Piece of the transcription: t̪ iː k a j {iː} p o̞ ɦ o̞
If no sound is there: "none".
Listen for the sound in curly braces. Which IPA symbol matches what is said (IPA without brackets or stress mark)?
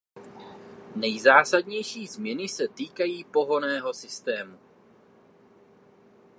iː